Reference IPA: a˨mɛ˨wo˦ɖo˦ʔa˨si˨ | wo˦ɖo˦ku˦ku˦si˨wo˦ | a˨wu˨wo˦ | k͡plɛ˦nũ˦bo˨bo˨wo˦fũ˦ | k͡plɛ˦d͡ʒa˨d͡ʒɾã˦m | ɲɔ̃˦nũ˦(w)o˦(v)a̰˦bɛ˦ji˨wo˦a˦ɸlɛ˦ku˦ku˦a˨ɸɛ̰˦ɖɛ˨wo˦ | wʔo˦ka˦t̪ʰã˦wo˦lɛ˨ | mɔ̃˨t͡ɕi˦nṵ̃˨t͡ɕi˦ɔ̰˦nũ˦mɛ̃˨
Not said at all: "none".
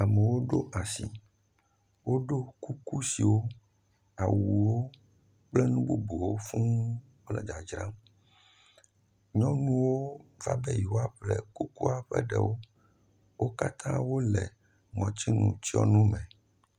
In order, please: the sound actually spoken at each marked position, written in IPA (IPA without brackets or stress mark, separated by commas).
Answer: w, v